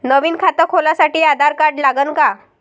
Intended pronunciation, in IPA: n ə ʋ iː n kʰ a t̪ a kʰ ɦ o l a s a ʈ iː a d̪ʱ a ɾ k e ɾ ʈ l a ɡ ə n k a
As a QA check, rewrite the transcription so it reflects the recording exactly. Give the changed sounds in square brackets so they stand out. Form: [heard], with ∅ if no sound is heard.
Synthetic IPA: n ə ʋ iː n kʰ a t̪ [ə] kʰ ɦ o l a s a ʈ iː a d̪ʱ a ɾ k [a] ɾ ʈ l a ɡ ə n k a